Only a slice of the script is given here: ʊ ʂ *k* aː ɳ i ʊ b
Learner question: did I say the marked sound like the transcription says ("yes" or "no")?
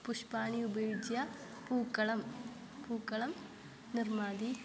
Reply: no